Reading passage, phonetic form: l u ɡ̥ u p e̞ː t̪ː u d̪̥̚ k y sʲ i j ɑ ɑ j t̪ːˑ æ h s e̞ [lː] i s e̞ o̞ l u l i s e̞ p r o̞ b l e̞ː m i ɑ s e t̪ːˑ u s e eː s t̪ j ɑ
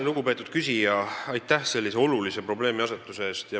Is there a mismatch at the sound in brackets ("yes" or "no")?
no